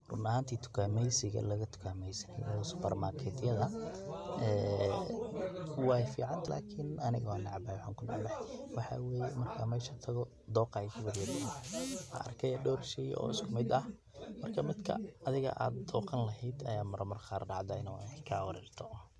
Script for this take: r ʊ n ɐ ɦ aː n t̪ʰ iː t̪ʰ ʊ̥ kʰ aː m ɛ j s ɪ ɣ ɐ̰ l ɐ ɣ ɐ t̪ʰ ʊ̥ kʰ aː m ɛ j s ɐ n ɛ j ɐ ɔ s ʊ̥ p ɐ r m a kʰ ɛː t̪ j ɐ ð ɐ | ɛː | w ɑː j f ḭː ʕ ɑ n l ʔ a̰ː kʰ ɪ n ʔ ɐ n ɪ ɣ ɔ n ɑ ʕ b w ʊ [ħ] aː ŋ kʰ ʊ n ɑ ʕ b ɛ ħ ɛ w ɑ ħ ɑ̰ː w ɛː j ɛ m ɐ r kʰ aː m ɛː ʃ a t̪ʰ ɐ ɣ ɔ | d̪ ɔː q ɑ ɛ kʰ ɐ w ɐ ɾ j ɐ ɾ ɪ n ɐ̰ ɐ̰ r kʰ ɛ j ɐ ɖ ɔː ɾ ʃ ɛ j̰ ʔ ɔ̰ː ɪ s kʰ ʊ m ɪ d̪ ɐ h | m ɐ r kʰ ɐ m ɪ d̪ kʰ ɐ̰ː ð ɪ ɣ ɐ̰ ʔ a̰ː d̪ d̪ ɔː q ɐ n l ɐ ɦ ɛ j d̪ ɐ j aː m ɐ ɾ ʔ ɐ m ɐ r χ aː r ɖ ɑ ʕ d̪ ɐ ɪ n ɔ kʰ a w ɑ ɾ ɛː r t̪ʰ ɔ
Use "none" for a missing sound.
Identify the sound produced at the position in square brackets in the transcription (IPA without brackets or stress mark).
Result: ħ